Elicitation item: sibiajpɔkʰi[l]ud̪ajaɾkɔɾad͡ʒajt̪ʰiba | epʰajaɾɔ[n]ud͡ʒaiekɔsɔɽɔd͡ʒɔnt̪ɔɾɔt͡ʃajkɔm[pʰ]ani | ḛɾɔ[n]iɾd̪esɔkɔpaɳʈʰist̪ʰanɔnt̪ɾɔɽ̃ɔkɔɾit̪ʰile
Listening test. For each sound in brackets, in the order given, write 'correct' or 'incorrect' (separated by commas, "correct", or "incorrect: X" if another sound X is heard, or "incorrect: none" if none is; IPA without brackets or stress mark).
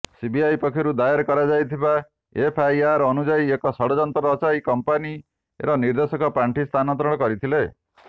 incorrect: ɾ, correct, incorrect: p, correct